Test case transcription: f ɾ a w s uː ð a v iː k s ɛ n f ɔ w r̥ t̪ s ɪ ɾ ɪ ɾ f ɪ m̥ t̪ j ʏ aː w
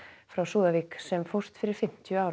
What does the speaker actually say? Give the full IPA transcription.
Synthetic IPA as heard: f ɾ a w s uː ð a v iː k s ɛ m f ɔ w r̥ t̪ f ɪ ɾ ɪ ɾ f ɪ m̥ t̪ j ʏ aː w

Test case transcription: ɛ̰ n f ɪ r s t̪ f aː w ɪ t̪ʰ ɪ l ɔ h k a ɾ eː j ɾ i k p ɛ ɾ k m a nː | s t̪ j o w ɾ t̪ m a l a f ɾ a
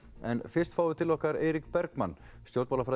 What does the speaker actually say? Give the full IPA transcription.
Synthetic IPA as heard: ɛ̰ n f ɪ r s t̪ f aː w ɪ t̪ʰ ɪ l ɔ h k a ɾ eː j ɾ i k p ɛ ɾ k m a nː | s t̪ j o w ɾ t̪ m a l a f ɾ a

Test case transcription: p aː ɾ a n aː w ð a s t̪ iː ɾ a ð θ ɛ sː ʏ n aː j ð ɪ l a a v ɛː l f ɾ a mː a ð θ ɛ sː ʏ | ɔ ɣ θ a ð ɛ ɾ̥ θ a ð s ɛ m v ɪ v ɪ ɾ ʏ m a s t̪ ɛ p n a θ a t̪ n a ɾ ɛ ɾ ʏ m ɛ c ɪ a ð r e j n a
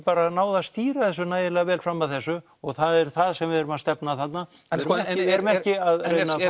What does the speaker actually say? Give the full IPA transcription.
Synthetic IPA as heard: p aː ɾ a n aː w ð a s t̪ iː ɾ a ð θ ɛ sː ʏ n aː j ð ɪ l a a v ɛː l f ɾ a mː a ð θ ɛ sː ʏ | ɔ ɣ θ a ð ɛ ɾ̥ θ a ð s ɛ m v ɪ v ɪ ɾ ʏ m a s t̪ ɛ p n a θ a t̪ n a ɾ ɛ ɾ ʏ m ɛ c ɪ a ð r e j n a

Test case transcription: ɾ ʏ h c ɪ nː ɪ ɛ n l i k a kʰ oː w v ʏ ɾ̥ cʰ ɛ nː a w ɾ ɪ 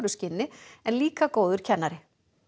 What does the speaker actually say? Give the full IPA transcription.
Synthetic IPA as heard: ɾ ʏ s c ɪ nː ɪ ɛ n l iː k a k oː w ð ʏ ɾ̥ cʰ ɛ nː a ɾ ɪ

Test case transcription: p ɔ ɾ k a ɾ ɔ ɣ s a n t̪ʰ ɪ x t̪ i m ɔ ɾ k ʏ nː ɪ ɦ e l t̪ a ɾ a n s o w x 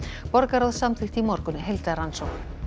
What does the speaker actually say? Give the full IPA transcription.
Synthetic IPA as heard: p ɔ ɾ k a ɾ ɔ ð s a m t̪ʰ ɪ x t̪ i m ɔ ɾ k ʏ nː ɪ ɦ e l t̪ a ɾ a n s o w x

